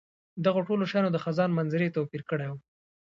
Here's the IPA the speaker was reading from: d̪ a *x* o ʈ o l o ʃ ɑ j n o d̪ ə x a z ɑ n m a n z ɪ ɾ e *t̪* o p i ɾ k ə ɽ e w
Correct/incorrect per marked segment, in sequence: incorrect, correct

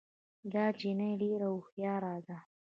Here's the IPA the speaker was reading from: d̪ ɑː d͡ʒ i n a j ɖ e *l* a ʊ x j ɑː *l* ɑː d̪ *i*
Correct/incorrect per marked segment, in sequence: incorrect, incorrect, incorrect

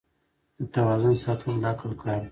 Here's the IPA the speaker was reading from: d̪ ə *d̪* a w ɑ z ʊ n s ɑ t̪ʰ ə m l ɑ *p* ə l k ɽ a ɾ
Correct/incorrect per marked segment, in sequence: incorrect, incorrect

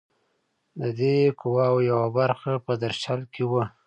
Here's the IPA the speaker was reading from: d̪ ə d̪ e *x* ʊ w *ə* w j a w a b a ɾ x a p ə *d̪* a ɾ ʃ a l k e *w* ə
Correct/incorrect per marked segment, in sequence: incorrect, incorrect, correct, correct

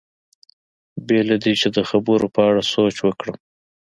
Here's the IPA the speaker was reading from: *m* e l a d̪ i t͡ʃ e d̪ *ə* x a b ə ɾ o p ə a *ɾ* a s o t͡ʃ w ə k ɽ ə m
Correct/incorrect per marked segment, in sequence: incorrect, correct, incorrect

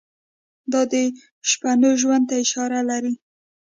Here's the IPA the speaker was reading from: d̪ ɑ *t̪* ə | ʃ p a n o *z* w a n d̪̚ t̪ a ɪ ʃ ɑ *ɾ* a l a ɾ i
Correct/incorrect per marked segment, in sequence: incorrect, incorrect, correct

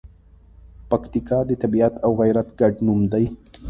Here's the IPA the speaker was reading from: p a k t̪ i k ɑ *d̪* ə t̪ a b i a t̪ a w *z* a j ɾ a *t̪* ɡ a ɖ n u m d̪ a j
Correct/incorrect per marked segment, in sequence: correct, incorrect, correct

